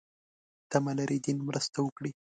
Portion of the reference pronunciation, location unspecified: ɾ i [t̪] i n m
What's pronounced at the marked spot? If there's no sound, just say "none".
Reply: d̪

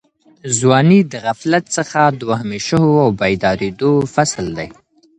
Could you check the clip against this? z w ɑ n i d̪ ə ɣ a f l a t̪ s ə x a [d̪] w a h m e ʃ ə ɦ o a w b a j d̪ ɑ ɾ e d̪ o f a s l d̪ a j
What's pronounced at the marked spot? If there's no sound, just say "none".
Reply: d̪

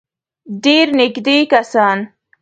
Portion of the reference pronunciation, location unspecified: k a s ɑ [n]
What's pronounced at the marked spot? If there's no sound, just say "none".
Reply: n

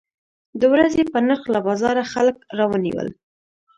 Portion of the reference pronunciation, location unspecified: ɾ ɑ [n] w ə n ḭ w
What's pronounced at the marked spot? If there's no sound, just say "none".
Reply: none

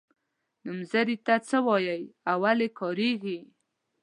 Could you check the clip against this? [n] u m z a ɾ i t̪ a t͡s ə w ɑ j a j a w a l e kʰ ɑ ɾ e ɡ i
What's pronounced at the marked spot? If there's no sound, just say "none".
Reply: n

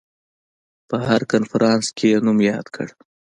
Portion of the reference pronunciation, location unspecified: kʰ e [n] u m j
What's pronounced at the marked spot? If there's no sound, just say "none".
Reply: n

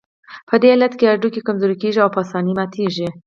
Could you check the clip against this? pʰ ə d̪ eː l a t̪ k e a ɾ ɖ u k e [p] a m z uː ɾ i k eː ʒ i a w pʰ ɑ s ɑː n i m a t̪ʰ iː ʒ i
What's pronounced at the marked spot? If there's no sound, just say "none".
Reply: k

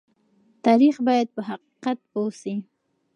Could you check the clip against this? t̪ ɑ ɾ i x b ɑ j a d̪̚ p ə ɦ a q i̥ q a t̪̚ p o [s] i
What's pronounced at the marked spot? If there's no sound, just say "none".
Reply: s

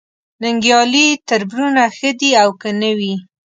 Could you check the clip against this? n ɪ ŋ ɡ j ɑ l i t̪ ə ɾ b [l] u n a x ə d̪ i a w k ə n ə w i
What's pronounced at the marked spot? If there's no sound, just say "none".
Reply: ɾ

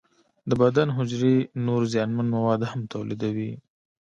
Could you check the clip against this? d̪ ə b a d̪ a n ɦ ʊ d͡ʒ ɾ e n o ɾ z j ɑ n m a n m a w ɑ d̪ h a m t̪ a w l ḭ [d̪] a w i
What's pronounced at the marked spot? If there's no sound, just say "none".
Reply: d̪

